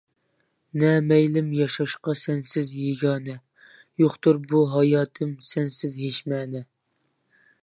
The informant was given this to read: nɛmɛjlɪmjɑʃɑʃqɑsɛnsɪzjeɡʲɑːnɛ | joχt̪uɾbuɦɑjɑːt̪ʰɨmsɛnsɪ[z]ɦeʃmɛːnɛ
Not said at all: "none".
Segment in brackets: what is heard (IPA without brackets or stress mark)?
z